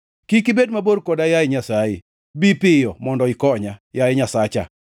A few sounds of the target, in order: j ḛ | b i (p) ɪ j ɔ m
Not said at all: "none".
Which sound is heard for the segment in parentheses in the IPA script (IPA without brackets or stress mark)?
p